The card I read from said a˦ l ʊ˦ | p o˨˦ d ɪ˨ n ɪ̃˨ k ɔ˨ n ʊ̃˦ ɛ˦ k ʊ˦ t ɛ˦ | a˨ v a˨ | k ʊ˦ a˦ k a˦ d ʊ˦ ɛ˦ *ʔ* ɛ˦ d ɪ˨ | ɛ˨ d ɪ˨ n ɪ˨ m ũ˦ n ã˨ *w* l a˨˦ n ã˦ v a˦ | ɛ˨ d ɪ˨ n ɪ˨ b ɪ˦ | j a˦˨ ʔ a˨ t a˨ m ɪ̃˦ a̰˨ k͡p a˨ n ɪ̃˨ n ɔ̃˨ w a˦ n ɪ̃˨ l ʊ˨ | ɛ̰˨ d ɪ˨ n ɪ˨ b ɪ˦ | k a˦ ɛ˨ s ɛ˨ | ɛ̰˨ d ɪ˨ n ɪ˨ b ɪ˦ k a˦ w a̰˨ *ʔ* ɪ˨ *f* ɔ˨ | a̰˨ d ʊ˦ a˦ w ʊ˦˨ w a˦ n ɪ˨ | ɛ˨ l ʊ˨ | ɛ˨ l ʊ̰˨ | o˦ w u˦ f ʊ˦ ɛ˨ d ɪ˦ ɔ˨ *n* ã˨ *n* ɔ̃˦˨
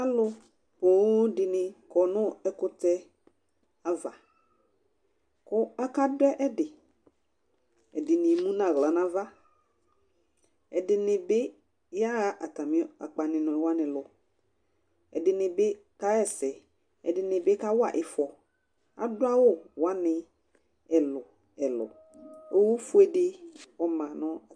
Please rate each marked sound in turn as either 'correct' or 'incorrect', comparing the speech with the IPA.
correct, incorrect: ɣ, correct, correct, incorrect: m, correct

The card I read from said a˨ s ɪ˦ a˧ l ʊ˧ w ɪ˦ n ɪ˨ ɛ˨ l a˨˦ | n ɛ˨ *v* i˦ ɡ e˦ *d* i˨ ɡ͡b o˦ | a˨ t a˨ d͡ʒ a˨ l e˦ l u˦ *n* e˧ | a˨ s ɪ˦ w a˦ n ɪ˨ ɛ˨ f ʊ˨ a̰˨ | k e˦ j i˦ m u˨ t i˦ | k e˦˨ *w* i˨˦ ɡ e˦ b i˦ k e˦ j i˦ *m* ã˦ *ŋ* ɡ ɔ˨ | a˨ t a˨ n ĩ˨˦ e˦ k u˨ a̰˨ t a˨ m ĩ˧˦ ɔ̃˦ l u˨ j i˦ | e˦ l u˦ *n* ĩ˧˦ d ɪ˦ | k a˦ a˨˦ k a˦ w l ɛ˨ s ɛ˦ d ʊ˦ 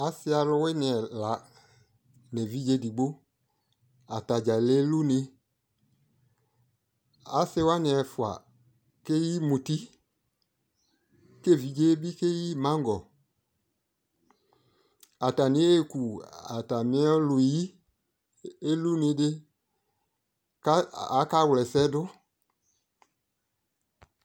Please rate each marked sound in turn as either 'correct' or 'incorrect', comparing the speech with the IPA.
correct, correct, correct, incorrect: v, correct, correct, correct

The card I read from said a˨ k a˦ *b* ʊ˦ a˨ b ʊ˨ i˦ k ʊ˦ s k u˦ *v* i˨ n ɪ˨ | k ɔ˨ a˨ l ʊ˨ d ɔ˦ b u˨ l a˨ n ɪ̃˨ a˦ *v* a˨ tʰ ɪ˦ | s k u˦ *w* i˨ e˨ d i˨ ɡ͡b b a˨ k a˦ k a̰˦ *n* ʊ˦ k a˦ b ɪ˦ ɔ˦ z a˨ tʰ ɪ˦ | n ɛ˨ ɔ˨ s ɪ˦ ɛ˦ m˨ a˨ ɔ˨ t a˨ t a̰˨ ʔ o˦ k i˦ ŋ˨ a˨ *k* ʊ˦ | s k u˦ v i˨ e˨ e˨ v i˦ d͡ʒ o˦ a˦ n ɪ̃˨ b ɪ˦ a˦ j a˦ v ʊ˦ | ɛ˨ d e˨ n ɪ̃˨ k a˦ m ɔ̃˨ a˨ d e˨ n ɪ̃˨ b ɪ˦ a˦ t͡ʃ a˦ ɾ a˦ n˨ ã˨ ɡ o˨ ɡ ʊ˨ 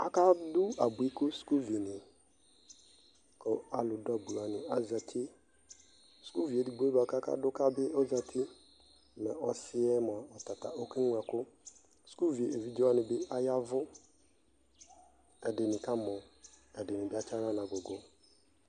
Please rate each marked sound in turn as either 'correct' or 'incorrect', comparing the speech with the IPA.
incorrect: d, correct, incorrect: z, incorrect: v, incorrect: d, correct

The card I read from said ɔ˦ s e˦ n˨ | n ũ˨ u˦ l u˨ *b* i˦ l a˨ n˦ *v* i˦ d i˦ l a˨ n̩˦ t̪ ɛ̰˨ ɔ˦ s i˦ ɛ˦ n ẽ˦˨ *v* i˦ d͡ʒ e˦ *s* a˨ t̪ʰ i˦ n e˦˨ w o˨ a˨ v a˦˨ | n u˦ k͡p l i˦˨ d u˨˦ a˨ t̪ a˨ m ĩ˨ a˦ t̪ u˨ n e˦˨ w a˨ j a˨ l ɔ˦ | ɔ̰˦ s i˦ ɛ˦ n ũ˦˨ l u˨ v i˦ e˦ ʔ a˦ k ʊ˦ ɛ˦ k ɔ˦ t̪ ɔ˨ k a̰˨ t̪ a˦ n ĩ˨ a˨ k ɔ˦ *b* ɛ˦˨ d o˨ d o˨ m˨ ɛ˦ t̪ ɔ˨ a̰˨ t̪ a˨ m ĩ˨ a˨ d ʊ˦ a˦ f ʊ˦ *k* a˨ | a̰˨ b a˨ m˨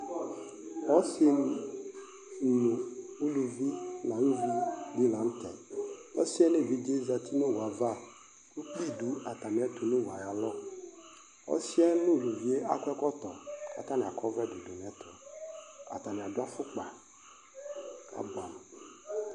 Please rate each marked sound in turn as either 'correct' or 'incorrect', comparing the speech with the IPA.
incorrect: v, correct, correct, incorrect: z, incorrect: v, incorrect: k͡p

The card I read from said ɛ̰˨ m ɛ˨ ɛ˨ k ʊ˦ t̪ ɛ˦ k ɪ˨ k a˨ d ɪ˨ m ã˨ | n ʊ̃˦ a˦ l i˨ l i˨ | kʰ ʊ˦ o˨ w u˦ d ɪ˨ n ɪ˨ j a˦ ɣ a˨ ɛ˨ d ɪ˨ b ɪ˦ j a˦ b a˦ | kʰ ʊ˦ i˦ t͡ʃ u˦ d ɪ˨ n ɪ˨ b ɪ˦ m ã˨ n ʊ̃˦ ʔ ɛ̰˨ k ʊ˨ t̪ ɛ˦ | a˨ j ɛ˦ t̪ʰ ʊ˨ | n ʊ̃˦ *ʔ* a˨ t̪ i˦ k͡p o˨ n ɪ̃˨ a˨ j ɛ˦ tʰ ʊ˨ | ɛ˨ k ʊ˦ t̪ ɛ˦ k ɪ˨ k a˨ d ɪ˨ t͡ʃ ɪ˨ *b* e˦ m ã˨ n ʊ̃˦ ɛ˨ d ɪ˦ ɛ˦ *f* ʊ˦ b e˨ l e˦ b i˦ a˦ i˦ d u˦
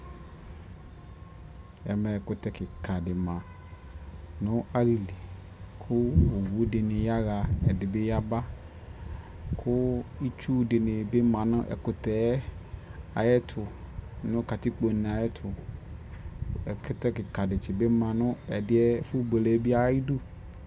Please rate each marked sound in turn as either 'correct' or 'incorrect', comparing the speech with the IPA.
incorrect: k, correct, correct

